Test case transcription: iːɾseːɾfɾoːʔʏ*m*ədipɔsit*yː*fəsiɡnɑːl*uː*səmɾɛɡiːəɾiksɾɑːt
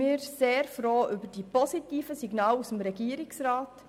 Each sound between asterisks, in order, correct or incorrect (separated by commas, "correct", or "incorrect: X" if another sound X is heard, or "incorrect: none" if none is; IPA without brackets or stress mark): incorrect: b, incorrect: iː, incorrect: u